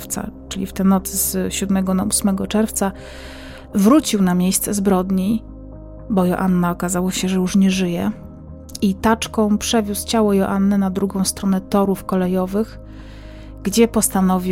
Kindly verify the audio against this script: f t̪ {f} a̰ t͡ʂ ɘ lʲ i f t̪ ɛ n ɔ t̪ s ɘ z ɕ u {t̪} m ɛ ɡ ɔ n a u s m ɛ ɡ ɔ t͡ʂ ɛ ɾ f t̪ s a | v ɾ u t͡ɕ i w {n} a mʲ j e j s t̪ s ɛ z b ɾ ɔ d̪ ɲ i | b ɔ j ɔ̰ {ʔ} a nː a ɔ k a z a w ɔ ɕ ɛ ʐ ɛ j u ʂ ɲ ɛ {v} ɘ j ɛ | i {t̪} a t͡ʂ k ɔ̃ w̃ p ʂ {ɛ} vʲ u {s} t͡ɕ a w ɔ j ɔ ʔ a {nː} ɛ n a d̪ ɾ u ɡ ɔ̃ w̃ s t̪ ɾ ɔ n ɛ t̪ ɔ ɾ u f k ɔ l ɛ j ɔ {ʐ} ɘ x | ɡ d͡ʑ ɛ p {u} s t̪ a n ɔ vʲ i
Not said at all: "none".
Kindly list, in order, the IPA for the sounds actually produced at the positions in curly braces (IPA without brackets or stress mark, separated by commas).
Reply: s, d̪, n, ʔ, ʐ, t̪, ɛ, s, nː, v, ɔ